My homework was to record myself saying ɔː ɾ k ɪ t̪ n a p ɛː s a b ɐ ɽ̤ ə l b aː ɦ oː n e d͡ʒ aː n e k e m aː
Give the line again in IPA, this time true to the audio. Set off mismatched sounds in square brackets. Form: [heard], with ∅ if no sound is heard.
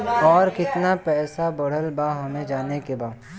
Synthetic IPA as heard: ɔː ɾ k ɪ t̪ n a p ɛː s a b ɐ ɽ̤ ə l b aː ɦ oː n e d͡ʒ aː n e k e [b] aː